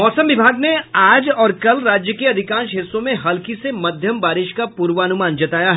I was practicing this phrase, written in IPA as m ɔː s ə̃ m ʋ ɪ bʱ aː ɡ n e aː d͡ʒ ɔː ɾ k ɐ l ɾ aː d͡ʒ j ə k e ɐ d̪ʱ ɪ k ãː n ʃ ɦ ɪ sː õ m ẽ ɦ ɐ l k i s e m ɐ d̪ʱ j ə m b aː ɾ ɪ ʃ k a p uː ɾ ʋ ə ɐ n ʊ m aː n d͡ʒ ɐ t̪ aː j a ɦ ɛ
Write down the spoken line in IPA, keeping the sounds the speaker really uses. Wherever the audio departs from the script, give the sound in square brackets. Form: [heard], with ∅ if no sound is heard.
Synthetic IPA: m ɔː s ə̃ m ʋ ɪ bʱ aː ɡ n e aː d͡ʒ ɔː ɾ k ɐ l ɾ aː d͡ʒ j ə k e ɐ d̪ʱ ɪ k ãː n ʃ ɦ ɪ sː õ m ẽ ɦ ɐ l k i s e m ɐ d̪ʱ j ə m b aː ɾ ɪ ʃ k a p uː ɾ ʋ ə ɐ n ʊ m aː n d͡ʒ ɐ t̪ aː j a ɦ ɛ